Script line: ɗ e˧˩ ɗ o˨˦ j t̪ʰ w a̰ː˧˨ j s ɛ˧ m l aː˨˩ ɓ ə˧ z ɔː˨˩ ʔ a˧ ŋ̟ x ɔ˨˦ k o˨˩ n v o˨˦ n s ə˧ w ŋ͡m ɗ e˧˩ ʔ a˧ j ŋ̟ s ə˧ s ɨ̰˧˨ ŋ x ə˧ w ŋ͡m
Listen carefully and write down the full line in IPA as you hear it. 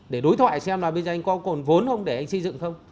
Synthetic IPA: ɗ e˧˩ ɗ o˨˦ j t̪ʰ w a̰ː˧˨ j s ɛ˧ m l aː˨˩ ɓ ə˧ z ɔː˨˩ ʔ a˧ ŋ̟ k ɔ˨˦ k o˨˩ n v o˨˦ n x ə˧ w ŋ͡m ɗ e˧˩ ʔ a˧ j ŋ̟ s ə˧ z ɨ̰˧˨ ŋ x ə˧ w ŋ͡m